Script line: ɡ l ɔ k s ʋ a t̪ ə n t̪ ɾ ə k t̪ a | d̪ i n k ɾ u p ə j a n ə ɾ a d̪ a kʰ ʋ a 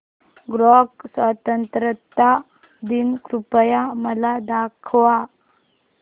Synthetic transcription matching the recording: ɡ ɾ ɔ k s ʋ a t̪ ə n t̪ ɾ ə t̪ a | d̪ i n k ɾ u p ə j a m ə l a d̪ a kʰ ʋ a

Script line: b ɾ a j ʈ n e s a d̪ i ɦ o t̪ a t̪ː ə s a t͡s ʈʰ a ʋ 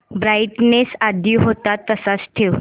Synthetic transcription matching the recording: b ɾ a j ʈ n e s a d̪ i ɦ o t̪ a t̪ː ə s a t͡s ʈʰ e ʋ

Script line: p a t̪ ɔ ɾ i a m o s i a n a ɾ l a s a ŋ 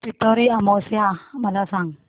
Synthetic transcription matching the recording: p i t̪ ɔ ɾ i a m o s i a m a l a s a ŋ

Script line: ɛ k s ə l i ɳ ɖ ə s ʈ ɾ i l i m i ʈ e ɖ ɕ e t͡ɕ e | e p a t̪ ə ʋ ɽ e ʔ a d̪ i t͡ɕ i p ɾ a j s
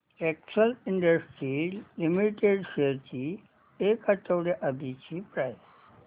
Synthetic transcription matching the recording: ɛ k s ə l i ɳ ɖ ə s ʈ ɾ i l i m i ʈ e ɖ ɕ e t͡ɕ i | e k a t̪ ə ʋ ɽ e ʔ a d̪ i t͡ɕ i p ɾ a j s

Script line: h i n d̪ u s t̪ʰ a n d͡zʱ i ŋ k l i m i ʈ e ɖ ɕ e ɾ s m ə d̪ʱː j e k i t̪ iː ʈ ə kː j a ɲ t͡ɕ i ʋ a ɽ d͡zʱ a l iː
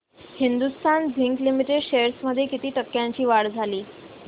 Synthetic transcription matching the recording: h i n d̪ u s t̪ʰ a n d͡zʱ i ŋ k l i m i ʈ e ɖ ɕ e ɾ s m ə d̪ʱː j e k i t̪ iː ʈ ə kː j a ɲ t͡ɕ iː ʋ a ɽ d͡zʱ a l iː

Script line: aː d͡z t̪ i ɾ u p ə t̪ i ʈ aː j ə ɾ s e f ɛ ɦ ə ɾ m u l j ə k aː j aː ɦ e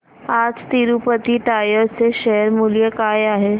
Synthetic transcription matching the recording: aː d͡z t̪ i ɾ u p ə t̪ i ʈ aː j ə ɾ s e ʃ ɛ ɦ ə ɾ m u l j ə k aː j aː ɦ e

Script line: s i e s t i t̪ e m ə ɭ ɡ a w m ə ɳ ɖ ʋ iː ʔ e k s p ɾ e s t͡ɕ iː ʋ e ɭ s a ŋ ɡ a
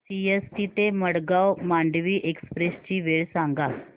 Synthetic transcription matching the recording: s i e s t i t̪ e m ə ɽ ɡ a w m a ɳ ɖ ʋ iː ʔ e k s p ɾ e s t͡ɕ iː ʋ e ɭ s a ŋ ɡ a

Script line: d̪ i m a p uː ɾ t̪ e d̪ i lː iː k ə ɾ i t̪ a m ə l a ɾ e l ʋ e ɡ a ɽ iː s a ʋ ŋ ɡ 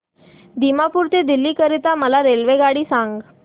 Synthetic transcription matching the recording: d̪ i m a p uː ɾ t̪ e d̪ i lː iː k ə ɾ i t̪ a m ə l a ɾ e l ʋ e ɡ a ɽ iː s a ŋ ɡ

